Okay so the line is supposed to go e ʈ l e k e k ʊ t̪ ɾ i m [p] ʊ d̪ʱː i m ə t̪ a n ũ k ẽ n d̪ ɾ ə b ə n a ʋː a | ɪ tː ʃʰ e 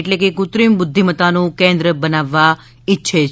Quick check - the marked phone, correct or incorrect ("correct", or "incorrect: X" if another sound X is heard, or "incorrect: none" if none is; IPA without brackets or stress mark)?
incorrect: b